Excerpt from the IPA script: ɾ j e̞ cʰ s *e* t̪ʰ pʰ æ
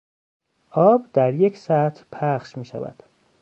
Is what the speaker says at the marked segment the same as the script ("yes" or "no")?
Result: no